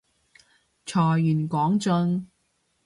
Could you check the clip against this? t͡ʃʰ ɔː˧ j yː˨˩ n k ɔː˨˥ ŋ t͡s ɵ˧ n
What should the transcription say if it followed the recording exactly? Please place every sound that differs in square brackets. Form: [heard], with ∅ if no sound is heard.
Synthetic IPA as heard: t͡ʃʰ [ɔː˨˩] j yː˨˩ n k ɔː˨˥ ŋ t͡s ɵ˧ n

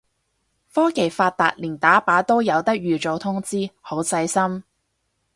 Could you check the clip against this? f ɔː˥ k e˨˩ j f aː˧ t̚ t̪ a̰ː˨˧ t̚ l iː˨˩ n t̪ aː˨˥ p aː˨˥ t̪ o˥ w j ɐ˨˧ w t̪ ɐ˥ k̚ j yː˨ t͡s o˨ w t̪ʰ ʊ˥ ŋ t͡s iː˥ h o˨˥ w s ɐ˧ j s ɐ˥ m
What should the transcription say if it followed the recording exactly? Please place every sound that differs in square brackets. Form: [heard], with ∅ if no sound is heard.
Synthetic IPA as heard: f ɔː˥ k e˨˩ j f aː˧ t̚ t̪ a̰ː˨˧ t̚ l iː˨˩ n t̪ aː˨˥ p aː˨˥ t̪ o˥ w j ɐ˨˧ w t̪ ɐ˥ k̚ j yː˨ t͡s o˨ w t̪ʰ ʊ˥ ŋ t͡s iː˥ h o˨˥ w s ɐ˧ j s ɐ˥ m

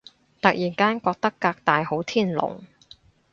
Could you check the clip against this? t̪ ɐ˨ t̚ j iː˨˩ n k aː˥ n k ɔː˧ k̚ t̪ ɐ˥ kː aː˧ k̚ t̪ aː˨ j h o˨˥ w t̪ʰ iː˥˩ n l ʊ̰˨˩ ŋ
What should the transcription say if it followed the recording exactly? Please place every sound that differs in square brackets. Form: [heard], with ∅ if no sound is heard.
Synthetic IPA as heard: t̪ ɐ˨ [k̚] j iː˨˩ n k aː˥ n k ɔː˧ k̚ t̪ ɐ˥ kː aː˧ k̚ t̪ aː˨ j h o˨˥ w t̪ʰ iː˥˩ n l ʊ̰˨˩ ŋ

